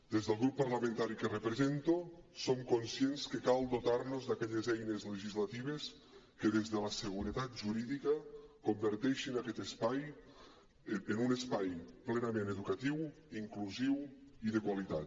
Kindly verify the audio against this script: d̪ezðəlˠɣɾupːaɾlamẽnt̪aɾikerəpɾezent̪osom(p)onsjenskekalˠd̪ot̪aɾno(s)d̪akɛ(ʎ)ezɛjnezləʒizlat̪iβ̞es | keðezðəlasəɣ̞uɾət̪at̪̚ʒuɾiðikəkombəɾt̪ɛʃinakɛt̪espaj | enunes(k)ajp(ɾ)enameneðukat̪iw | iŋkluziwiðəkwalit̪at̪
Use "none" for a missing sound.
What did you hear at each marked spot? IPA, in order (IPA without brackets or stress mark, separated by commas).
k, z, ʎ, p, l